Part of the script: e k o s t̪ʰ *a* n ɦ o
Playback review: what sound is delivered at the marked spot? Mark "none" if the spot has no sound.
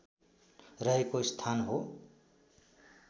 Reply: a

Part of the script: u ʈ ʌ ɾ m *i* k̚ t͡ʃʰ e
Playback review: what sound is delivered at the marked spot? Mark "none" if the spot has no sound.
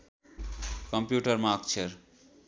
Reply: a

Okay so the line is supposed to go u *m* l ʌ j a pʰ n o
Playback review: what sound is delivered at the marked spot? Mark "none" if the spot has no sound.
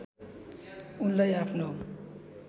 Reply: n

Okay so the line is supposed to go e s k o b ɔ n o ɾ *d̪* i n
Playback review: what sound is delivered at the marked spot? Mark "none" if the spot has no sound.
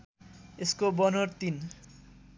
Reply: t̪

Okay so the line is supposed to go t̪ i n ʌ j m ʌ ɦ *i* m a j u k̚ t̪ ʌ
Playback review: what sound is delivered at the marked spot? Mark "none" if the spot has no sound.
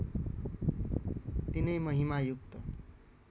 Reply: i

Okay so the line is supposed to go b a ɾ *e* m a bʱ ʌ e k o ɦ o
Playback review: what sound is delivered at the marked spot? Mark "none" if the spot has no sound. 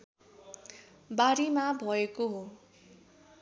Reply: i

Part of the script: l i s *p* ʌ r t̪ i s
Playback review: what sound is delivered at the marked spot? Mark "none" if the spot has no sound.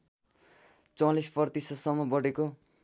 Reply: p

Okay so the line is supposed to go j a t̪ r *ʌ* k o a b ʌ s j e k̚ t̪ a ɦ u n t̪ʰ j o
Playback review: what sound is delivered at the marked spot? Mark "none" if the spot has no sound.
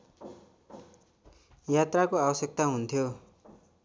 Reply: a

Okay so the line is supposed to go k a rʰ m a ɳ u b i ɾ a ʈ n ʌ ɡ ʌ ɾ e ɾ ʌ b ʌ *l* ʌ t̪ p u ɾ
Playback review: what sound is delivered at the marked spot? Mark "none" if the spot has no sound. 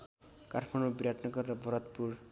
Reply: ɾ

